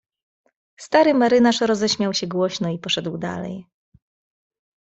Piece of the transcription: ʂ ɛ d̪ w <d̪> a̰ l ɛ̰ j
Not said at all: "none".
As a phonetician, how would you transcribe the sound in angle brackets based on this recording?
d̪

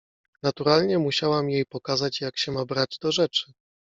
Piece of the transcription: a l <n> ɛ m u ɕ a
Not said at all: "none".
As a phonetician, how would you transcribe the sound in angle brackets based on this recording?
ɲ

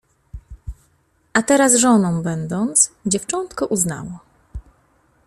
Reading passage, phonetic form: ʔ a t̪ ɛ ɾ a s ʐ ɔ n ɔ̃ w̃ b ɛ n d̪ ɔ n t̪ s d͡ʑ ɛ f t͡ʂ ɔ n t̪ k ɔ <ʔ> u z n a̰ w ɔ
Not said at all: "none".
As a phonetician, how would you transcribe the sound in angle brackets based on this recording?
ʔ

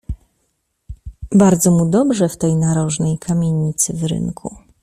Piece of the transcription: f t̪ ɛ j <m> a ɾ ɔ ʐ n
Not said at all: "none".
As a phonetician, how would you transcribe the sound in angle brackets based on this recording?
n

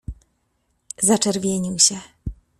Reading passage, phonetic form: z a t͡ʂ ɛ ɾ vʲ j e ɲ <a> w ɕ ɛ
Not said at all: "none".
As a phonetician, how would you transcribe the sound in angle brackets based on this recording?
i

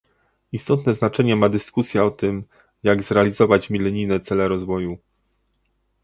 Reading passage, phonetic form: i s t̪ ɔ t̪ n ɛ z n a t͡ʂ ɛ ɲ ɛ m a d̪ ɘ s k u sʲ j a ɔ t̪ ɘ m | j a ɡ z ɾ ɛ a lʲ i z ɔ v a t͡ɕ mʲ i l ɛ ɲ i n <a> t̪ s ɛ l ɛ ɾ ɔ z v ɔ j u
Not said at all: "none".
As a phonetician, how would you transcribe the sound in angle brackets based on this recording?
ɛ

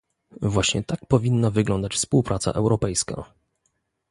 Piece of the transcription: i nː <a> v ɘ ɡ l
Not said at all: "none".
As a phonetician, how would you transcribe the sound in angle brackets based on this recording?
a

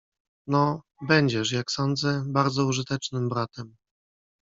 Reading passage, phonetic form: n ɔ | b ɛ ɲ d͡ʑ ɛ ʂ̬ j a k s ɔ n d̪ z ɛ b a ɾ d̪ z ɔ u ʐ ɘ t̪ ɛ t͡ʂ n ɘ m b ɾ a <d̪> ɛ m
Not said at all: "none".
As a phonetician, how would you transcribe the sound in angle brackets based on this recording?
t̪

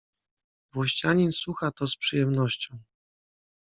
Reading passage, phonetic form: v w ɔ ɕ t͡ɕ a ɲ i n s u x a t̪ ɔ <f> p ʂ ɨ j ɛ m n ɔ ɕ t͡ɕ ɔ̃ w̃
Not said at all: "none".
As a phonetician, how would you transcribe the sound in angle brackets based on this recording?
s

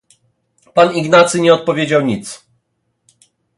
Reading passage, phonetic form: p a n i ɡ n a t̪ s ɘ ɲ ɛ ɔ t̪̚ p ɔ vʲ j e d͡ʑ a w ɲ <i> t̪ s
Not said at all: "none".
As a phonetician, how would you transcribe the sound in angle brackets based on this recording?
i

